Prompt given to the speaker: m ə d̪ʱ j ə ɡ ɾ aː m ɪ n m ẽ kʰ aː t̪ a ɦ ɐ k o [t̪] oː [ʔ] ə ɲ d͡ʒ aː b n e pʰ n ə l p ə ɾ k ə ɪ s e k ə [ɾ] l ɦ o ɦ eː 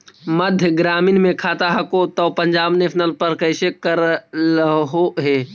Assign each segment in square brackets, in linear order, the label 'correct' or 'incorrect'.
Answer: correct, incorrect: p, correct

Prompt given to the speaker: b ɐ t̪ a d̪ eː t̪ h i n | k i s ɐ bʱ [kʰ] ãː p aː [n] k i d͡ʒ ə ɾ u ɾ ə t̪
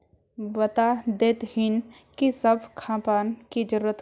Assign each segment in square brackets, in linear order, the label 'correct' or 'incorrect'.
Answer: correct, correct

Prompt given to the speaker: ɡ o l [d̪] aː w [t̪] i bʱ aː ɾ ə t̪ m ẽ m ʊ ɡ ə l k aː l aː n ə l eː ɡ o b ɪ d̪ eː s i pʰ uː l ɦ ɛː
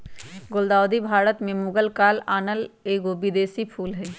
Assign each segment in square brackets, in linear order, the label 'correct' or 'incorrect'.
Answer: correct, incorrect: d̪

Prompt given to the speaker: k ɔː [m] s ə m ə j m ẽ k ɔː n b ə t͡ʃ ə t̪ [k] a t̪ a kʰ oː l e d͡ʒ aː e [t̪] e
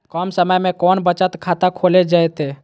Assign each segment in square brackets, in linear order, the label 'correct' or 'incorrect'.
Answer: correct, incorrect: kʰ, correct

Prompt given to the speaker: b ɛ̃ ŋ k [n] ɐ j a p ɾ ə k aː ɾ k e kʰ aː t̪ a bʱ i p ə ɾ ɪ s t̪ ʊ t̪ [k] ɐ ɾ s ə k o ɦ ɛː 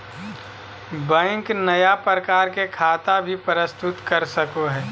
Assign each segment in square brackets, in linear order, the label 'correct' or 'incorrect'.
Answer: correct, correct

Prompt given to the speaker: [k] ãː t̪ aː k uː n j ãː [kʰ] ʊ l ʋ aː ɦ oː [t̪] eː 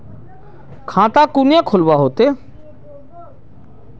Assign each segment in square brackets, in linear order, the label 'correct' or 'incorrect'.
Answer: incorrect: kʰ, correct, correct

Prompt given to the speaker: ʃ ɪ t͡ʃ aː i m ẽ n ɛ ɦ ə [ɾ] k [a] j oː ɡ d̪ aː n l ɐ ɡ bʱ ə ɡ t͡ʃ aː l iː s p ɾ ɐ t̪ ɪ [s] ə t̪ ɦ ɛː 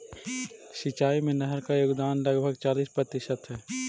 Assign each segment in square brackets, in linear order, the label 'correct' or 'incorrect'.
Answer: correct, correct, incorrect: ʃ

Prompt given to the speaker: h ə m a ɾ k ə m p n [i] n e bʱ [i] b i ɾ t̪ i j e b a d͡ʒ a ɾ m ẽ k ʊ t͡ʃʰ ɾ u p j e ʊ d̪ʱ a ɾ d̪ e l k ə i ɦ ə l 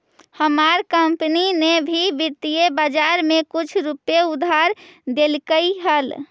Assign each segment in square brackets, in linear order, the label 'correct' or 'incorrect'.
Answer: correct, correct

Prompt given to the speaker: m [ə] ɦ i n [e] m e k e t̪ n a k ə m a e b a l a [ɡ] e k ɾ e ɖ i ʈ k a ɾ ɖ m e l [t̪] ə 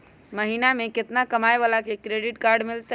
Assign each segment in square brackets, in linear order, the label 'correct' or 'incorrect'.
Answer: correct, incorrect: a, incorrect: k, correct

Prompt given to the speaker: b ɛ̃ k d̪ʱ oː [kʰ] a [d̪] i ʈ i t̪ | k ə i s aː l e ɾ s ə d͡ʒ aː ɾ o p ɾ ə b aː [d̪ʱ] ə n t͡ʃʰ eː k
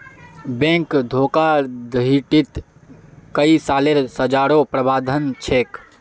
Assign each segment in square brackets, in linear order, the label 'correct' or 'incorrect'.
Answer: incorrect: k, correct, correct

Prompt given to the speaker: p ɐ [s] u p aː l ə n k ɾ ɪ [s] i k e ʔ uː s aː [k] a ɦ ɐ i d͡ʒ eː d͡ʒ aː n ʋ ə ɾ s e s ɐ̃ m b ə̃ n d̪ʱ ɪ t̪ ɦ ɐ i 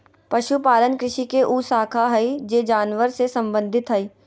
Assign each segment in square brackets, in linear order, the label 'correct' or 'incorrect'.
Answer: incorrect: ʃ, incorrect: ʃ, incorrect: kʰ

